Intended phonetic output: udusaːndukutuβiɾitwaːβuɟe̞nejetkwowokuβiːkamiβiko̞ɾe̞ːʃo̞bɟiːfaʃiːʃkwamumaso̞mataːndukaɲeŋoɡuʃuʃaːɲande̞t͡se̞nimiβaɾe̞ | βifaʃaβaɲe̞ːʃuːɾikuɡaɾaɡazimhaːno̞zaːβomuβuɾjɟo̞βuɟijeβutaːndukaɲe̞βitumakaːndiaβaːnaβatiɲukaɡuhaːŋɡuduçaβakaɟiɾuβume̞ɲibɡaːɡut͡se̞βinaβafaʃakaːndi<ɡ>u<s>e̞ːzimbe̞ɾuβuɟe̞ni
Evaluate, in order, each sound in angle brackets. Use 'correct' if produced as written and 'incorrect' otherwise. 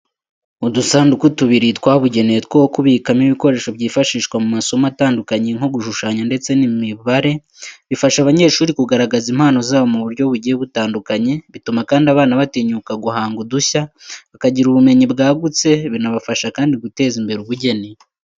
correct, incorrect: t

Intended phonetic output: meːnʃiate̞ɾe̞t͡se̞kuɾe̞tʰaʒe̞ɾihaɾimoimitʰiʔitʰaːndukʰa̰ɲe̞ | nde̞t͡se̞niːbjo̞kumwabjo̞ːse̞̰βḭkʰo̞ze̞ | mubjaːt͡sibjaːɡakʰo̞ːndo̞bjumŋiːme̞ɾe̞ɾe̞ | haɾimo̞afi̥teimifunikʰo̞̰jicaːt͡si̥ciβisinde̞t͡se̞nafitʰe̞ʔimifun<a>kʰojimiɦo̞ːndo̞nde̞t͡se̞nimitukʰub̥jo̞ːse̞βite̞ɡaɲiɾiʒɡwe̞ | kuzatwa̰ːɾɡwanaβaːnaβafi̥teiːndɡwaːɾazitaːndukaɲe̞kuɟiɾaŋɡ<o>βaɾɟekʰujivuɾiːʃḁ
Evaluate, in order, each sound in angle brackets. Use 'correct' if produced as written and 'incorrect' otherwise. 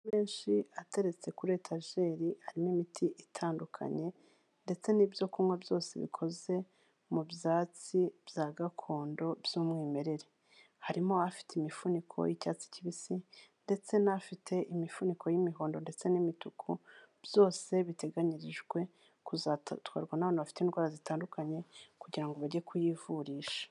incorrect: i, correct

